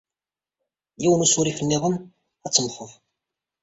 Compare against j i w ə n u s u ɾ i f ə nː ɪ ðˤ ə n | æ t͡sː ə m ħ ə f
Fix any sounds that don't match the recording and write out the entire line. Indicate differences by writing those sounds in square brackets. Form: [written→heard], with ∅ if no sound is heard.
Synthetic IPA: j i w ə n u s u ɾ i f ə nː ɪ ðˤ ə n | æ t͡sː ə m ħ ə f